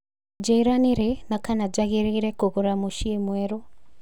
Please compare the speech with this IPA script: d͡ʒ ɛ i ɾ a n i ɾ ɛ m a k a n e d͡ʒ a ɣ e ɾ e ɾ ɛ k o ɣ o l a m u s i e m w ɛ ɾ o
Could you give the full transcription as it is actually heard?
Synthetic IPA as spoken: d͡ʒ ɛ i ɾ a n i ɾ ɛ n a k a n a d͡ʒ a ɣ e ɾ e ɾ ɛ k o ɣ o ɾ a m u ʃ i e m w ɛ ɾ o